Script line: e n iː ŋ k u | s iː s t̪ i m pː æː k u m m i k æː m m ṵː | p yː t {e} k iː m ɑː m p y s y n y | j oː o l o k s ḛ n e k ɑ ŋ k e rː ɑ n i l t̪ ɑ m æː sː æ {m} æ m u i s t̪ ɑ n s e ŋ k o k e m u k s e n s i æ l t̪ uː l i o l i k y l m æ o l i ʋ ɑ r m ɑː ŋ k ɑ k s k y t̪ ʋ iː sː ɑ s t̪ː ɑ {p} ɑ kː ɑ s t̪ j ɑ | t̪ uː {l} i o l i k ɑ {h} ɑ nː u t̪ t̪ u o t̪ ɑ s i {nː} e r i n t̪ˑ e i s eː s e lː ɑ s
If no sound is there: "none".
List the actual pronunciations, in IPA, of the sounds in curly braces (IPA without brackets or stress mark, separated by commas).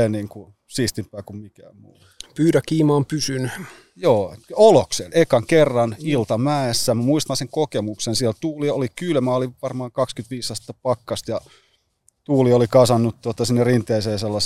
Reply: æ, m, p, l, s, nː